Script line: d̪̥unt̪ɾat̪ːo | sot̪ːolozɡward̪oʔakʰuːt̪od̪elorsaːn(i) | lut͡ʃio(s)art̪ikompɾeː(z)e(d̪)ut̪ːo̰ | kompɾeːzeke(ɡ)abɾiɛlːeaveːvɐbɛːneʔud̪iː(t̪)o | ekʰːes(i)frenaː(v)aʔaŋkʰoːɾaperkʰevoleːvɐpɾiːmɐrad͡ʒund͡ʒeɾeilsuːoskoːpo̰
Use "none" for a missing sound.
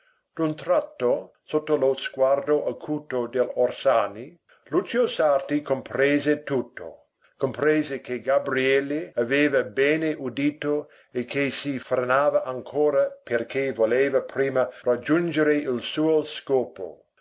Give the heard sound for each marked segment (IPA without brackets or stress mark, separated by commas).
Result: i, s, z, t̪, ɡ, t̪, i, v